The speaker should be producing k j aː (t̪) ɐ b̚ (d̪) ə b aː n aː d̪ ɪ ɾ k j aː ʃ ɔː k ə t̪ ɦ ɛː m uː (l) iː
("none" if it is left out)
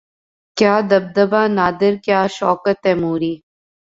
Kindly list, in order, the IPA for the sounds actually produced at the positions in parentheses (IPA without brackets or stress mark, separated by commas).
d̪, d̪, ɾ